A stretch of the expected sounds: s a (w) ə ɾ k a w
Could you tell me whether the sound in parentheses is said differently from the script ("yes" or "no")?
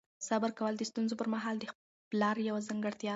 yes